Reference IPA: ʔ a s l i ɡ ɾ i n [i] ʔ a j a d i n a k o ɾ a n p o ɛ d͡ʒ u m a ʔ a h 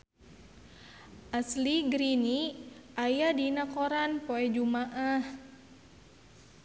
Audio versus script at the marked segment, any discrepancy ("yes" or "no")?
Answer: no